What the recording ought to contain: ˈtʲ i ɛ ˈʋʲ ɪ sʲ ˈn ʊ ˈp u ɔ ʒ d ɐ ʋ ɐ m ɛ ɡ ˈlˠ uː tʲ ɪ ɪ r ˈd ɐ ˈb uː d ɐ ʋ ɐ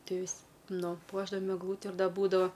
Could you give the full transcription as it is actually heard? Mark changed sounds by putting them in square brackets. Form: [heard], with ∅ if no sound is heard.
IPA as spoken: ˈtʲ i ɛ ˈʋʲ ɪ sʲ ˈn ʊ ˈp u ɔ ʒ d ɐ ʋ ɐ m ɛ ɡ ˈlˠ uː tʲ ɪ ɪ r ˈd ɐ ˈb uː d ɐ ʋ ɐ